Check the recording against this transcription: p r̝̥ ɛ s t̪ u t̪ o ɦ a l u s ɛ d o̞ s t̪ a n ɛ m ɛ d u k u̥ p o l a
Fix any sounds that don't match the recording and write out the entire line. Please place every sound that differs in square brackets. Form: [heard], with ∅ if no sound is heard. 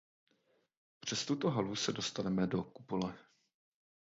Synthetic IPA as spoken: p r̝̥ ɛ s t̪ u t̪ o ɦ a l u s ɛ d o̞ s t̪ a n ɛ m ɛ d [o] k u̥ p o l [ɛ]